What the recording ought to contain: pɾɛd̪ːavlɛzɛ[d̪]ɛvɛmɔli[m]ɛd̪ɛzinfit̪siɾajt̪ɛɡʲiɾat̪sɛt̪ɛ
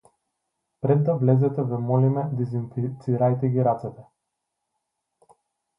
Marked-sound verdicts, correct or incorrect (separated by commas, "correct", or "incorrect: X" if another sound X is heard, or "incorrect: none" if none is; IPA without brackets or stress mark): incorrect: t̪, correct